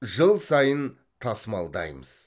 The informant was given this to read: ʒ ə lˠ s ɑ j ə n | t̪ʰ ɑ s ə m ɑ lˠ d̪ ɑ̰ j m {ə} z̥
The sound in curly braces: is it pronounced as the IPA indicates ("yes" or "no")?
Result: yes